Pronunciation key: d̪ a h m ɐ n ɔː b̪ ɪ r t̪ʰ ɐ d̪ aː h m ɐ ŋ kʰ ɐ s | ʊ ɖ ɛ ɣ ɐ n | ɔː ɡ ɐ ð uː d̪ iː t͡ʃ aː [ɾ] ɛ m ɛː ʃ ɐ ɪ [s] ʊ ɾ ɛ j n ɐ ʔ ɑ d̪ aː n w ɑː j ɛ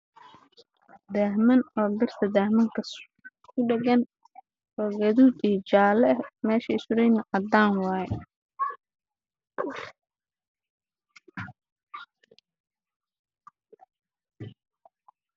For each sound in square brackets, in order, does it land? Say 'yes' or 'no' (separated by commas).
no, yes